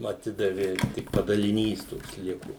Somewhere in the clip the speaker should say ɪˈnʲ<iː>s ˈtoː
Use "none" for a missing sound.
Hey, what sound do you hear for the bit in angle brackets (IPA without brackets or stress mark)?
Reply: iː